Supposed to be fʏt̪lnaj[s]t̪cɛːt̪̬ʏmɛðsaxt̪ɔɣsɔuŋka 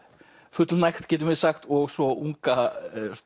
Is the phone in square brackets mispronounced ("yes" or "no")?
yes